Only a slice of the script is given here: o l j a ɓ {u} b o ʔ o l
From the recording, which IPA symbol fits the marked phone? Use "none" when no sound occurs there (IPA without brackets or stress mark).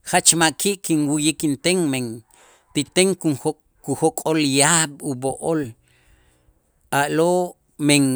u